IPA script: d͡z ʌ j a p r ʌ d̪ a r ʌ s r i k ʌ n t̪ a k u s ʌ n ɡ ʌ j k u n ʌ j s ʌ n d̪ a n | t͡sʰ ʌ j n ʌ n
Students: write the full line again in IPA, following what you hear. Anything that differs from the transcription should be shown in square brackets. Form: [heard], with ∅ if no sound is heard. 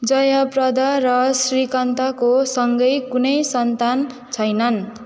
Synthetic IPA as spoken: d͡z ʌ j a p r ʌ d̪ a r ʌ s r i k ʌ n t̪ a k [o] s ʌ [ŋ] ɡ ʌ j k u n ʌ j s ʌ n [t̪] a n | t͡sʰ ʌ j n ʌ n